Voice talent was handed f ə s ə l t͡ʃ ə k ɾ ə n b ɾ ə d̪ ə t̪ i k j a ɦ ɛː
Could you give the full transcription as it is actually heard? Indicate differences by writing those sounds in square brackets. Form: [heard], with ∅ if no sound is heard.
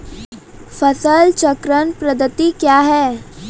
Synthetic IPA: f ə s ə l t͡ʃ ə k ɾ ə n [p] ɾ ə d̪ ə t̪ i k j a ɦ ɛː